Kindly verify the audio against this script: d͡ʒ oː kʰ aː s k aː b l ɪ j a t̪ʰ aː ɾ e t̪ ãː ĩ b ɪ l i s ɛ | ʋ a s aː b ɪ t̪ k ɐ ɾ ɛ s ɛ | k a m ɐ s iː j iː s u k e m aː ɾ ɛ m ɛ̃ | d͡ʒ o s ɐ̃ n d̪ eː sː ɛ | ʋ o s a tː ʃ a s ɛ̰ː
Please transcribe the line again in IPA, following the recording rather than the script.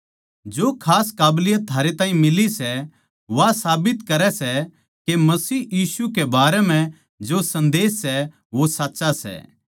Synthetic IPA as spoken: d͡ʒ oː kʰ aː s k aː b l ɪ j a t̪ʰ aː ɾ e t̪ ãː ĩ m ɪ l i s ɛ | ʋ a s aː b ɪ t̪ k ɐ ɾ ɛ s ɛ | k e m ɐ s iː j iː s u k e b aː ɾ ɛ m ɛ̃ | d͡ʒ o s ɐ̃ n d̪ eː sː ɛ | ʋ o s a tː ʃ a s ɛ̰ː